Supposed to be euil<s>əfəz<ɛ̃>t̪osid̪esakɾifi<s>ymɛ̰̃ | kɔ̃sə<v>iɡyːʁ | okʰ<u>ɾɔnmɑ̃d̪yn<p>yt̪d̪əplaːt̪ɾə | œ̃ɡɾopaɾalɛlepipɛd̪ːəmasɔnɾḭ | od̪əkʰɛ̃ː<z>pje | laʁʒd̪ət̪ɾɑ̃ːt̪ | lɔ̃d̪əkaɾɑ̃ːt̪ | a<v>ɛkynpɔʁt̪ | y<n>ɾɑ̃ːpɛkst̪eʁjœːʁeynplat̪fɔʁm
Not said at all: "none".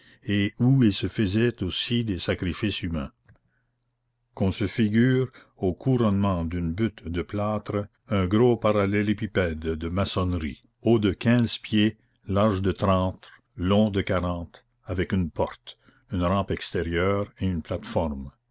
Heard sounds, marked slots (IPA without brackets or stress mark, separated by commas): s, ɛ, s, f, u, b, z, v, n